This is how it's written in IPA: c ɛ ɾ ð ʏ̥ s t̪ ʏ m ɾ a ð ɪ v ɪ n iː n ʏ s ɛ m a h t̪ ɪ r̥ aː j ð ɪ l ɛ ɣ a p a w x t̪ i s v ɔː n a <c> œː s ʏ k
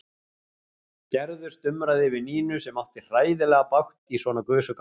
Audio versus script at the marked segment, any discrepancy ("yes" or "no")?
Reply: yes